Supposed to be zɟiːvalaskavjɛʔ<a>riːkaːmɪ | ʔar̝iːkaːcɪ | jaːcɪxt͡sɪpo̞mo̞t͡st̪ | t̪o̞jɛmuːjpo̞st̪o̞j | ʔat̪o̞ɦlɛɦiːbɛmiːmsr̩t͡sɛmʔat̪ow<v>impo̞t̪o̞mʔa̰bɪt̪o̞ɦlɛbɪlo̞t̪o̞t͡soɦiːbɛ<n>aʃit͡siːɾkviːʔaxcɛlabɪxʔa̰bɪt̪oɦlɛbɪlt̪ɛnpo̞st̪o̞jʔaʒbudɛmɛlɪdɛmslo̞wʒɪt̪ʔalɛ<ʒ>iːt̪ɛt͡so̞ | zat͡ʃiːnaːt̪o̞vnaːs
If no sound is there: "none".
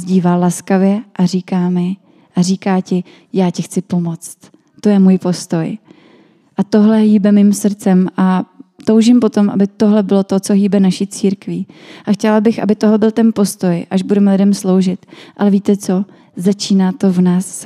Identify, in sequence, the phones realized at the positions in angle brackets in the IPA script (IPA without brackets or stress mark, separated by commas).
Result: a, ʒ, n, v